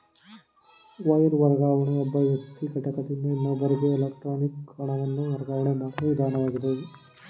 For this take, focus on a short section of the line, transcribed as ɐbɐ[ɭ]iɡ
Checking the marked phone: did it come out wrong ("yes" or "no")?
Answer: yes